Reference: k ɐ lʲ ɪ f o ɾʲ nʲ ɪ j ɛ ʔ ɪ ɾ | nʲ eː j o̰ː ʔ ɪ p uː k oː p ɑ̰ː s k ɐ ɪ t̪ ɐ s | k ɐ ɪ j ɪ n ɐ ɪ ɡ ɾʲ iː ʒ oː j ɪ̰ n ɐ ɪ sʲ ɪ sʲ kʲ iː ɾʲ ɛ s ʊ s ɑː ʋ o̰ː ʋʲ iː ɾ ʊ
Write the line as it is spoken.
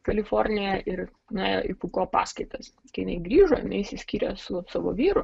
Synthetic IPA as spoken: k ɐ lʲ ɪ f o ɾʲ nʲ ɪ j ɛ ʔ ɪ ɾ | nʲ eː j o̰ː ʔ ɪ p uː k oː p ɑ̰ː s k ɐ ɪ t̪ ɐ s | k ɐ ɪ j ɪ n ɐ ɪ ɡ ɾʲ iː ʒ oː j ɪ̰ n ɐ ɪ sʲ ɪ sʲ kʲ iː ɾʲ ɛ s ʊ s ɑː ʋ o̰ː ʋʲ iː ɾ ʊ